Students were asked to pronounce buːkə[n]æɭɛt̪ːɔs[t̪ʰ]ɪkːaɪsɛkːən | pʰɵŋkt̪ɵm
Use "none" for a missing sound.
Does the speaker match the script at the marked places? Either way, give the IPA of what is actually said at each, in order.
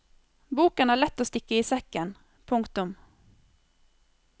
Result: n, t̪

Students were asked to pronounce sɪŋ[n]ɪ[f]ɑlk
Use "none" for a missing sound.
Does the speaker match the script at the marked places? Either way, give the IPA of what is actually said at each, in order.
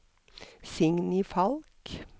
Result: n, f

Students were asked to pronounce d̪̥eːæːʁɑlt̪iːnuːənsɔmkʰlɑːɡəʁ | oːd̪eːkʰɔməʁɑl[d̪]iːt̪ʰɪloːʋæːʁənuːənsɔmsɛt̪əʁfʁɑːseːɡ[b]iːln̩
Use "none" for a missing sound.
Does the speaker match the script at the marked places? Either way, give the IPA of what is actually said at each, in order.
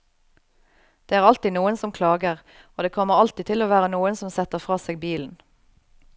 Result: t̪, b

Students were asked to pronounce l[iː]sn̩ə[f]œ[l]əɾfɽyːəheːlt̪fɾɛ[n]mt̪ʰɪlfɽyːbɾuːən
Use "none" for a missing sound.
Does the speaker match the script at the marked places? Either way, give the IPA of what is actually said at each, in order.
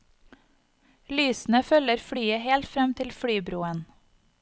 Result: yː, f, l, none

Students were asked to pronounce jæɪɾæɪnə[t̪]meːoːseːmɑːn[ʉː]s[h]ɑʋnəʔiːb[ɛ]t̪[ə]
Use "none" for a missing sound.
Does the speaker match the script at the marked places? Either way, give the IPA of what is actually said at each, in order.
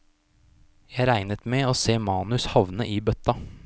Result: t̪, ʉ, h, œ, ɑ

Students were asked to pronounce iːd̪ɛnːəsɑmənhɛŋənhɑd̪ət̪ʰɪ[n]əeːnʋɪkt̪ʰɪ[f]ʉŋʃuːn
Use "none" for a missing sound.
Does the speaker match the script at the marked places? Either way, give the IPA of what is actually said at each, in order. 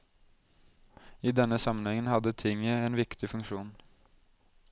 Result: ŋ, f

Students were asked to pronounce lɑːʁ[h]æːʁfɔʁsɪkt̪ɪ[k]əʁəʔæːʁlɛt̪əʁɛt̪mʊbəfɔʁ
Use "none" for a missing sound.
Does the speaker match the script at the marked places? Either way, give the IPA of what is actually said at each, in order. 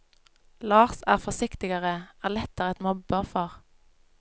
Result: s, ɡ

